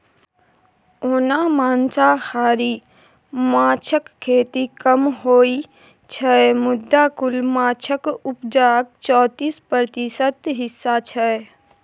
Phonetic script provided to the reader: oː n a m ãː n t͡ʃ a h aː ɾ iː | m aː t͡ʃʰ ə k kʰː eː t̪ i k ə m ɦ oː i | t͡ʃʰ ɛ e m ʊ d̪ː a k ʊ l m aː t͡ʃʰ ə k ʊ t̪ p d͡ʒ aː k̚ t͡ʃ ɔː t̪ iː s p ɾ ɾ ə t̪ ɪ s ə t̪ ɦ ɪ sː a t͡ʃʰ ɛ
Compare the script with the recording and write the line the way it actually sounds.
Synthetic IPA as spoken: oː n a m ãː n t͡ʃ a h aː ɾ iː | m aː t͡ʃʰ ə k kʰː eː t̪ i k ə m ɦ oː i | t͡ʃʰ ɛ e m ʊ d̪ː a k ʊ l m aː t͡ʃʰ ə k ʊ p d͡ʒ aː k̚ t͡ʃ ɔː t̪ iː s p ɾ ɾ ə t̪ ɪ s ə t̪ ɦ ɪ sː a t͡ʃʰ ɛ